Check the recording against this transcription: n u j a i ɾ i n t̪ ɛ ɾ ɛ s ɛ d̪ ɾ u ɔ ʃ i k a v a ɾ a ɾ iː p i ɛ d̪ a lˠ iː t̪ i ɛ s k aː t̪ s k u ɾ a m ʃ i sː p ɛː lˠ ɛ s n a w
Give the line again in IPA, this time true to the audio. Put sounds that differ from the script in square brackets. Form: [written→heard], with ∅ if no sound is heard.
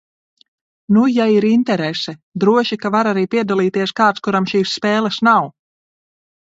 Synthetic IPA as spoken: n u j a i ɾ i n t̪ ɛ ɾ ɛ s ɛ d̪ ɾ u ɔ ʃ i k a v a ɾ a ɾ iː p i ɛ d̪ a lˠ iː t̪ i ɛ s k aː t̪ s k u ɾ a m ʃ [i→iː] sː p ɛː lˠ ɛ s n a w

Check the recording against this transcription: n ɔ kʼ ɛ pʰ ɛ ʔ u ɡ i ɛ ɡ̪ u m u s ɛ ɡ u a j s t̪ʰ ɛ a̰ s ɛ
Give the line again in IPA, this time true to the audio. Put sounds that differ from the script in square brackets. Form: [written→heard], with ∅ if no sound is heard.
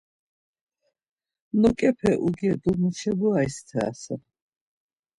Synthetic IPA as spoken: n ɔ kʼ ɛ pʰ ɛ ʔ u ɡ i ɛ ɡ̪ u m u [s→ʃ] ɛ [ɡ→b] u a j s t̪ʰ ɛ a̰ s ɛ

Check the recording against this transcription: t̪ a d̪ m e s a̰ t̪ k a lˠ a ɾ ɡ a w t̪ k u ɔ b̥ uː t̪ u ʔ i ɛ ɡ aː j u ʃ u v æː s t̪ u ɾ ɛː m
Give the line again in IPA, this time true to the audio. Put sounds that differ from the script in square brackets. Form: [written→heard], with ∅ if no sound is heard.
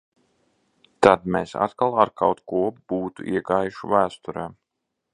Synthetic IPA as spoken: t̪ a d̪ m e s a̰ t̪ k a lˠ a ɾ [ɡ→k] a w t̪ k u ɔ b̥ uː t̪ u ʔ i ɛ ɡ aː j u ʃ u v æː s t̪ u ɾ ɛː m

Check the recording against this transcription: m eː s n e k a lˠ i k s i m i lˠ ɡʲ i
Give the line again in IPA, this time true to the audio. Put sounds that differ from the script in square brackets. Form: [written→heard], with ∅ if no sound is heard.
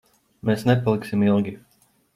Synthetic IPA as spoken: m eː s n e [k→p] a lˠ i k s i m i lˠ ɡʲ i

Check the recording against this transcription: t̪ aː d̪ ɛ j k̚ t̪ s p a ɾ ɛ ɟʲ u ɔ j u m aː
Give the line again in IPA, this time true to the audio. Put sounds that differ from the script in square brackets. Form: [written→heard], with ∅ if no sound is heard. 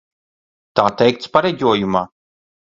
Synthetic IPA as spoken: t̪ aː [d̪→t̪] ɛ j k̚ t̪ s p a ɾ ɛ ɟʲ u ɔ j u m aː

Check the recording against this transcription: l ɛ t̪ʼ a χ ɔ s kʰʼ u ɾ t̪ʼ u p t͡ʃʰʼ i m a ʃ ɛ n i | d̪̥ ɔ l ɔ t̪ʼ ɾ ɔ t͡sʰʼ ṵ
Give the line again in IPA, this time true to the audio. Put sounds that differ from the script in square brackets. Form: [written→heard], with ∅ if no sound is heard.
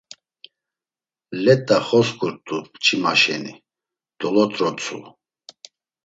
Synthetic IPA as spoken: l ɛ t̪ʼ a χ ɔ s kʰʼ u ɾ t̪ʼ u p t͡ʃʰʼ i m a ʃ ɛ n i | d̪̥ ɔ l ɔ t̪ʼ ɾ ɔ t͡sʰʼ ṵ

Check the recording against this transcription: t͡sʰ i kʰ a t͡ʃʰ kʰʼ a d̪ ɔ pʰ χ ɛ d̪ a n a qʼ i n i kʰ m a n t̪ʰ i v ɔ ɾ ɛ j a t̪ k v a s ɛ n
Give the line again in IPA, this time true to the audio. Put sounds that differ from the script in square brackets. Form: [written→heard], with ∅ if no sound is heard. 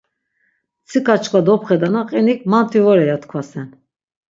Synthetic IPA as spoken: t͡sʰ i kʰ a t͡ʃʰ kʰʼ a d̪ ɔ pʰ χ ɛ d̪ a n a qʼ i n i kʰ m a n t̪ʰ i v ɔ ɾ ɛ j a t̪ [k→kʰ] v a s ɛ n

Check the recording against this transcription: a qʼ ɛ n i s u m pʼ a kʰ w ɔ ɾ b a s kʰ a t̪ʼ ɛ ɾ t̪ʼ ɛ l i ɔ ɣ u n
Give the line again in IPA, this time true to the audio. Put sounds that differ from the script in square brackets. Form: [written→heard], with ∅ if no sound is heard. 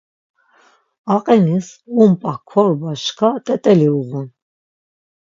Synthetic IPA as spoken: a qʼ ɛ n i s u m pʼ a kʰ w ɔ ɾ b a [s→ʃ] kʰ a t̪ʼ ɛ [ɾ→∅] t̪ʼ ɛ l i [ɔ→u] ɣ u n

